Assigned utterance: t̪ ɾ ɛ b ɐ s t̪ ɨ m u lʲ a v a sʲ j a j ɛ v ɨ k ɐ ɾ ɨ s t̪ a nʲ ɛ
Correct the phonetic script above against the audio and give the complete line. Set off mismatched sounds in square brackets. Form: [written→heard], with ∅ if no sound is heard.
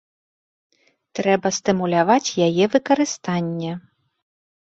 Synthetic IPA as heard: t̪ ɾ ɛ b ɐ s t̪ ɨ m u lʲ a v a [sʲ→t͡sʲ] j a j ɛ v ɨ k ɐ ɾ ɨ s t̪ a [nʲ→nʲː] ɛ